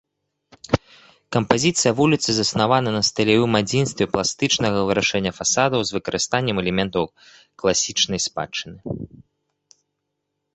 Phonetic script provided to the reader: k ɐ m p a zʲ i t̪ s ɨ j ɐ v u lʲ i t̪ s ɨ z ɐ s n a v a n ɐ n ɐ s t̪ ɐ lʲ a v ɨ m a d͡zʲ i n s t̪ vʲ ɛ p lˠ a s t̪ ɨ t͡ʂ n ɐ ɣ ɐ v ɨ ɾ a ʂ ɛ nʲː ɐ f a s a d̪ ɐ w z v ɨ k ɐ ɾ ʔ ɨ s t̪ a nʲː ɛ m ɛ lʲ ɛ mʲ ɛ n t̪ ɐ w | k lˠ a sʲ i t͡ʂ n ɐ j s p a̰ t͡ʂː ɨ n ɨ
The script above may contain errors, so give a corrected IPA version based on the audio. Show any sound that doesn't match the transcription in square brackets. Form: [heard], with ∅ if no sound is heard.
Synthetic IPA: k ɐ m p a zʲ i t̪ s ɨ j ɐ v u lʲ i t̪ s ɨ z ɐ s n a v a n ɐ n ɐ s t̪ ɐ lʲ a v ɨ m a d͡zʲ i n s t̪ vʲ ɛ p lˠ a s t̪ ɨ t͡ʂ n ɐ ɣ ɐ v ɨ ɾ a ʂ ɛ nʲː ɐ f a s a d̪ ɐ w z v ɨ k ɐ ɾ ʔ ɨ s t̪ a nʲː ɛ m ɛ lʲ ɛ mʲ ɛ n t̪ ɐ w | k lˠ a sʲ i t͡ʂ n ɐ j s p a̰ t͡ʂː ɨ n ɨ